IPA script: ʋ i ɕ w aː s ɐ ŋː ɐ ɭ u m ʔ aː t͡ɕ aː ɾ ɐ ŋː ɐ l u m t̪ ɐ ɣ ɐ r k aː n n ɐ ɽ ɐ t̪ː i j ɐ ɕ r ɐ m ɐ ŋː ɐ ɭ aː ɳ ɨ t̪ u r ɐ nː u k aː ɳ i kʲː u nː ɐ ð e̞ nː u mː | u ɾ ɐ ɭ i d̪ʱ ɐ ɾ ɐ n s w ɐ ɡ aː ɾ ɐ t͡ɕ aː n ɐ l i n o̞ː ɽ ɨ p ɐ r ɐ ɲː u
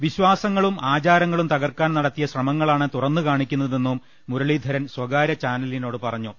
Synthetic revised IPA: ʋ i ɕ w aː s ɐ ŋː ɐ ɭ u m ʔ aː t͡ɕ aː ɾ ɐ ŋː ɐ ɭ u m t̪ ɐ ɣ ɐ r k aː n n ɐ ɽ ɐ t̪ː i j ɐ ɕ r ɐ m ɐ ŋː ɐ ɭ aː ɳ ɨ t̪ u r ɐ nː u k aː ɳ i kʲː u nː ɐ ð e̞ nː u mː | u ɾ ɐ ɭ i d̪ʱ ɐ ɾ ɐ n s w ɐ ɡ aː ɾ ɐ t͡ɕ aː n ɐ l i n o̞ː ɽ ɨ p ɐ r ɐ ɲː u